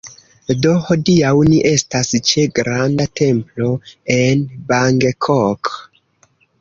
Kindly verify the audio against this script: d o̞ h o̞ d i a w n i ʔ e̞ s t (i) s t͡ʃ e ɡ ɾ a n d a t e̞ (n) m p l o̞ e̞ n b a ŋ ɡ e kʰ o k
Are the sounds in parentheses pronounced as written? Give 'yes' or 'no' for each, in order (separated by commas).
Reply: no, no